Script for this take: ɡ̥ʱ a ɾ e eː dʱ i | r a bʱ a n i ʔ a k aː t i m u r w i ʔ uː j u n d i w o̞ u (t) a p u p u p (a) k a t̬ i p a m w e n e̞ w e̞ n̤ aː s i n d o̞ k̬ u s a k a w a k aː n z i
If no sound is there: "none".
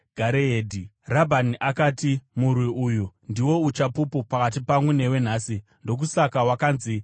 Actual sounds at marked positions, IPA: t͡ʃ, a

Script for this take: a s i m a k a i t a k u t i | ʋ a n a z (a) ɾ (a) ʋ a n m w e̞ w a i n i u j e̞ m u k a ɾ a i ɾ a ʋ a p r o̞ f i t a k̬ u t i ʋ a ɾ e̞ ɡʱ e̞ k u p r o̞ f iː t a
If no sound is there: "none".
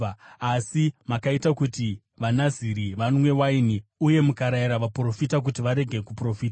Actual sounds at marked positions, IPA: i, i

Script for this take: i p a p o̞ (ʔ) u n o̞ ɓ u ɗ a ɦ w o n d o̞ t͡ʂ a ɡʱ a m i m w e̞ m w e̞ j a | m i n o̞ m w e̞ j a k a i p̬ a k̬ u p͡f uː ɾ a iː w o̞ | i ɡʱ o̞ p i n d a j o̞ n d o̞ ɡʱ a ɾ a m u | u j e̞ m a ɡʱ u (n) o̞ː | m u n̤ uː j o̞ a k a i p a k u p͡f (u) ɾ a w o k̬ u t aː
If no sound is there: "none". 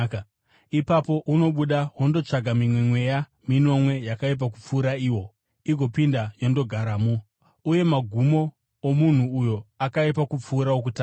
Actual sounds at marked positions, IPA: ʔ, m, uː

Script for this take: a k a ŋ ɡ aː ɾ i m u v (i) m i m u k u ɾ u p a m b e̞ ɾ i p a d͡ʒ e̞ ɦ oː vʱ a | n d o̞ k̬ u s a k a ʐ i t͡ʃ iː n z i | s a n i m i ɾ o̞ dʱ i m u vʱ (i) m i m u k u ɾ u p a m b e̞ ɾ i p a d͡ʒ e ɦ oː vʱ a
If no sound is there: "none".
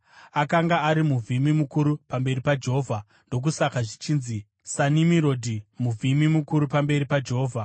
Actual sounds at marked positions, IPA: i, i

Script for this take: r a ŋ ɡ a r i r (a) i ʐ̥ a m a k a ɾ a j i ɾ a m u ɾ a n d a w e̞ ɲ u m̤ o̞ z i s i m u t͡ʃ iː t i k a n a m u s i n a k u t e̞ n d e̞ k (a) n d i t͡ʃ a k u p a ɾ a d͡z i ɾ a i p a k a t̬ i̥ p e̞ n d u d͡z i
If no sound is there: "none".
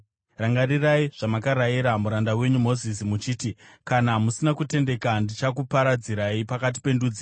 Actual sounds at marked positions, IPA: a, a

